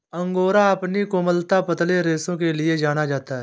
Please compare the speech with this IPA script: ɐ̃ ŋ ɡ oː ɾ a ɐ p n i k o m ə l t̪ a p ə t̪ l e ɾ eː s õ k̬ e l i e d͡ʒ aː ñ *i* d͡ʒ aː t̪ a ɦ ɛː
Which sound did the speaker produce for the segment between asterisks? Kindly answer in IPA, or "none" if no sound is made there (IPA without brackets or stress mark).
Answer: a